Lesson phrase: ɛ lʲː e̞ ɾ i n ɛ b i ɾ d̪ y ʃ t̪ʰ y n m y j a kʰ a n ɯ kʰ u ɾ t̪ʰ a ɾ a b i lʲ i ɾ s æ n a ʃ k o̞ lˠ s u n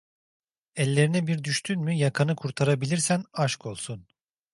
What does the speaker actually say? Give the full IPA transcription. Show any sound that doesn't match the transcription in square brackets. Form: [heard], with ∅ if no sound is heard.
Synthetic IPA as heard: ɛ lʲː e̞ ɾ i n ɛ b i ɾ d̪ y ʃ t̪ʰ y n m y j a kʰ a n ɯ kʰ u ɾ t̪ʰ a ɾ a b i lʲ i ɾ s æ n a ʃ k o̞ lˠ s u n